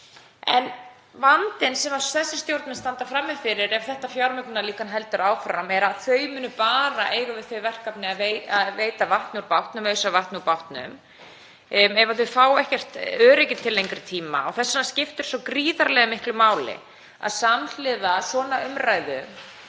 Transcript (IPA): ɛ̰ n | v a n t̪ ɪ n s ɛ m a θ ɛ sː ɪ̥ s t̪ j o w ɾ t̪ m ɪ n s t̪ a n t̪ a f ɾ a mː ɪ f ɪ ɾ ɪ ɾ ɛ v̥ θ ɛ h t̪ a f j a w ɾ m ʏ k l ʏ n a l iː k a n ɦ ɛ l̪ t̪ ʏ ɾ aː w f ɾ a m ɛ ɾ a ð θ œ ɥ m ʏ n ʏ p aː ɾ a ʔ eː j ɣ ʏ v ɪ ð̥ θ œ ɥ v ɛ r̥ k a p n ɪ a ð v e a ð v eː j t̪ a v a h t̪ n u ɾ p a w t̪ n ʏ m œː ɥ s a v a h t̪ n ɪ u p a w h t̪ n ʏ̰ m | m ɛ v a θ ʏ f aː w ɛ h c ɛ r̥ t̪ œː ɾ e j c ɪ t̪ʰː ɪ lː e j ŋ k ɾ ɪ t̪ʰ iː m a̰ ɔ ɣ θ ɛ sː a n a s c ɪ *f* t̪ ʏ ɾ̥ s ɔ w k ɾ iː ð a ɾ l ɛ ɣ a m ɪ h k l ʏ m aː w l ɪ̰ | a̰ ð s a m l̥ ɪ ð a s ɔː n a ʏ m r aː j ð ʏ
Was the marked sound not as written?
no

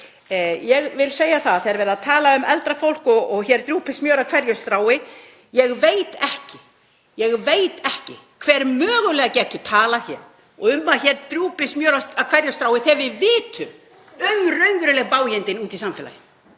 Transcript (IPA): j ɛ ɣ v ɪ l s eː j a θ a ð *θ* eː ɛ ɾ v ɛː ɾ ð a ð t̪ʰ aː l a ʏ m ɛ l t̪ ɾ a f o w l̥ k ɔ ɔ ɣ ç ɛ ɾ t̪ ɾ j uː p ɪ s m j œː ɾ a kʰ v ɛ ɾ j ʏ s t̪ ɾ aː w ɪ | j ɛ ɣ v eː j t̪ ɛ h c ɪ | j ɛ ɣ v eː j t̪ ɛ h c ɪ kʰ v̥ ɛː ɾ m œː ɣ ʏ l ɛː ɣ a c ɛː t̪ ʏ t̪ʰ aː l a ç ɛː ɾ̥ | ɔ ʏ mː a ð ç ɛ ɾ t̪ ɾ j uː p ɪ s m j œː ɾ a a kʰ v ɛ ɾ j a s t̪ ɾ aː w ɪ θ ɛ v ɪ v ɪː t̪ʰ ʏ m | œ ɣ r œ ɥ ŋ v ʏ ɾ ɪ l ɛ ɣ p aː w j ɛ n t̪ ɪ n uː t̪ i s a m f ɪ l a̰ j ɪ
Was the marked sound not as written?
no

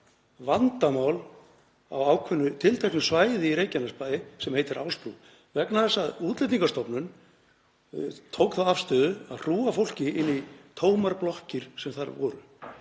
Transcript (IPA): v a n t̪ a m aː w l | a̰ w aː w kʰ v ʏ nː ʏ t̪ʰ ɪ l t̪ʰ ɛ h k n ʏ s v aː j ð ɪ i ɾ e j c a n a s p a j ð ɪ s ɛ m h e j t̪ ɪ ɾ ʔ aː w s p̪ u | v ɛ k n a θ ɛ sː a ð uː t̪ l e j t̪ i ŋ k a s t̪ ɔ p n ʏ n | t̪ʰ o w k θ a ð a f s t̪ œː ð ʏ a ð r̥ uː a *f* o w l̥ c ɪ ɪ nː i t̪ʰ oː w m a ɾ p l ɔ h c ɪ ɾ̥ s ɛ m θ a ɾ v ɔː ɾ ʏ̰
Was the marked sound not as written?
no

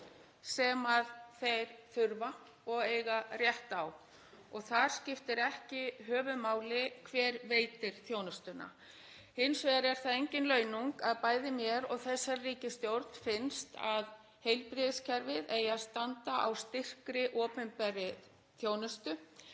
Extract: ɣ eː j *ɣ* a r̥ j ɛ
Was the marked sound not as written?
no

